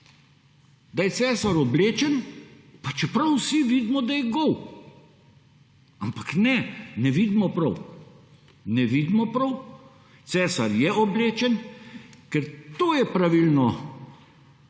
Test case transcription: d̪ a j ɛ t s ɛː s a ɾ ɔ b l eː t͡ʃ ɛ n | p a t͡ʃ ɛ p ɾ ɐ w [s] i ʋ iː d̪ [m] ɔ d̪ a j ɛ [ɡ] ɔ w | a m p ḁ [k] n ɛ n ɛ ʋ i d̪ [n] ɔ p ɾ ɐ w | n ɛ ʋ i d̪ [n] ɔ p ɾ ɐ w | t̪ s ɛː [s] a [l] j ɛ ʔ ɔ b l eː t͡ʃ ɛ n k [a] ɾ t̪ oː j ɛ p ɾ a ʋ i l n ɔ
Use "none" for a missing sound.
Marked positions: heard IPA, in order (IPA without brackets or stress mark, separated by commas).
s, m, ɡ, k, m, m, s, ɾ, ɛ